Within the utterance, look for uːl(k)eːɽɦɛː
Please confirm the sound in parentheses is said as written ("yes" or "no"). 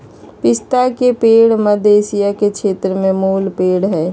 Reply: no